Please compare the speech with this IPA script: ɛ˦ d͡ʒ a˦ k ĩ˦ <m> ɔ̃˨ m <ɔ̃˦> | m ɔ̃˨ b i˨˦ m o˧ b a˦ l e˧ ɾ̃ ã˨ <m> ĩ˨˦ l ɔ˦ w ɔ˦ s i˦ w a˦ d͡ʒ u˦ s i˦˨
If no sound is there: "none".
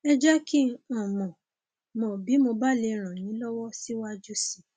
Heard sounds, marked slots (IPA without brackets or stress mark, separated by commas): none, ɔ̃˨, n